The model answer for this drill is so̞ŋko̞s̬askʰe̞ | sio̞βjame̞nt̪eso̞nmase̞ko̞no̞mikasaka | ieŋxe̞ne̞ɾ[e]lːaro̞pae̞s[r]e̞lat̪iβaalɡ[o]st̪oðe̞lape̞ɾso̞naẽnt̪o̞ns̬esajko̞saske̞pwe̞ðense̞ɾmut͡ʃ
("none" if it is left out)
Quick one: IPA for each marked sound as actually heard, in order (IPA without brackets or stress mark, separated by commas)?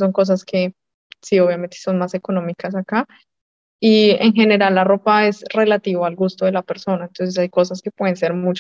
a, r, u